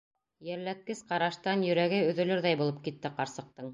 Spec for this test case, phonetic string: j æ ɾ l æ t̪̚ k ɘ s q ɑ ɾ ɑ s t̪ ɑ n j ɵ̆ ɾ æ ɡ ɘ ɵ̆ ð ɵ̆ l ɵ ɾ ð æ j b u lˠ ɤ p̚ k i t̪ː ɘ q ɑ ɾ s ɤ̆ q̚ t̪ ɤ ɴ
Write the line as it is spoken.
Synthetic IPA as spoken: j æ ɾ l æ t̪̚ k ɘ s q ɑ ɾ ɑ ʃ t̪ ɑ n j ɵ̆ ɾ æ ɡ ɘ ɵ̆ ð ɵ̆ l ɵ ɾ ð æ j b u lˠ ɤ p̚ k i t̪ː ɘ q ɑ ɾ s ɤ̆ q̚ t̪ ɤ ɴ